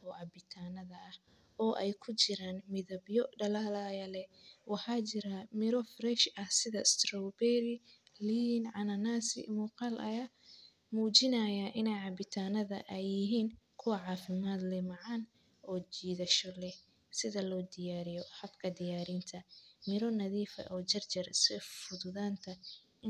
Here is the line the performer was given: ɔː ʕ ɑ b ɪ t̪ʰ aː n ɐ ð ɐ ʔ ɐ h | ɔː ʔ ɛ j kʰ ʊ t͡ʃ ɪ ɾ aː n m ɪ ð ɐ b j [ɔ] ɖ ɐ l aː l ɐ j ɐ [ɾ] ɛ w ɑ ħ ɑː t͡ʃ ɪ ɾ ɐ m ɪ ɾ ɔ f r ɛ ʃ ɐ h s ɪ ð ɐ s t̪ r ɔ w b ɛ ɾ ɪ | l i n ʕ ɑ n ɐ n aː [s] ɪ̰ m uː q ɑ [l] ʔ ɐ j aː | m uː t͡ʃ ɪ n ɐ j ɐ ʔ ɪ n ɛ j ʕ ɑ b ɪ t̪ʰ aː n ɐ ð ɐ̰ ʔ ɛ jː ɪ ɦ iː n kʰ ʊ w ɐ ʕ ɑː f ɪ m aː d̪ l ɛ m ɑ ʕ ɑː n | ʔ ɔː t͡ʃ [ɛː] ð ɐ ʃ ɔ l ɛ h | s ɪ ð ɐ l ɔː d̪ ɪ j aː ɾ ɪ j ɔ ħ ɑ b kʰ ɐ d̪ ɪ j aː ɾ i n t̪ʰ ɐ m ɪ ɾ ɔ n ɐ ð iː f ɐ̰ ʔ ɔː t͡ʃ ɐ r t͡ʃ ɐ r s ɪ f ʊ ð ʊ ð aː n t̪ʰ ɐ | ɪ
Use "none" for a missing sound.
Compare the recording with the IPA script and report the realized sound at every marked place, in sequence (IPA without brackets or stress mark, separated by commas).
ɔ, l, s, l, iː